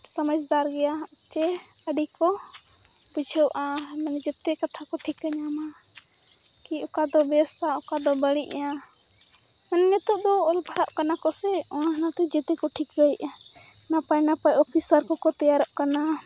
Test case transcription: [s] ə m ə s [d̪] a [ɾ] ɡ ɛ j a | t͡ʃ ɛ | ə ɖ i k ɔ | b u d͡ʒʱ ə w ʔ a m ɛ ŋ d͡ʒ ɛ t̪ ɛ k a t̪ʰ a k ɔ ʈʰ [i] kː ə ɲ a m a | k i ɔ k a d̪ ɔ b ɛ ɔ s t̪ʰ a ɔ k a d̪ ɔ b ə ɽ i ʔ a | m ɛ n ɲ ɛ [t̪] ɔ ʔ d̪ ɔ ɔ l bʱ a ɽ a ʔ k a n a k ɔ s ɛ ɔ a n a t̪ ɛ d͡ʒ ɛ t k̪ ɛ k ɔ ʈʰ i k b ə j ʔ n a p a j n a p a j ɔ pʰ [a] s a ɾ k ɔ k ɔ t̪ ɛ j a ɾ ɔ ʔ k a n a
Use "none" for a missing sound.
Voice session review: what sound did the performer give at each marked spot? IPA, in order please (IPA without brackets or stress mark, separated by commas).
s, d̪, ɾ, i, t̪, i